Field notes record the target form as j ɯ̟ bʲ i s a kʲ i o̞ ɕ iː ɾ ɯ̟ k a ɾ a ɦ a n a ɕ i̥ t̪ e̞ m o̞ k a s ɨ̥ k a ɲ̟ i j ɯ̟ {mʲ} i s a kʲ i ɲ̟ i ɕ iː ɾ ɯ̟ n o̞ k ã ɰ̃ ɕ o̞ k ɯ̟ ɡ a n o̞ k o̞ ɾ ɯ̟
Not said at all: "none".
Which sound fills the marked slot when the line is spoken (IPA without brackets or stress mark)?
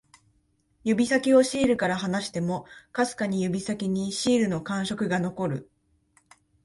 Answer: bʲ